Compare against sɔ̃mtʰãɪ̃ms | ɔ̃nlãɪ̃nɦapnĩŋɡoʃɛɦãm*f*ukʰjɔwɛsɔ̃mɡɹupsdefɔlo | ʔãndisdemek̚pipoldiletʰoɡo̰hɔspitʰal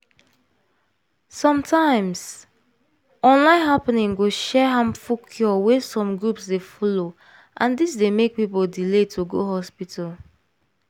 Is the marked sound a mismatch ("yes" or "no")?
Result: no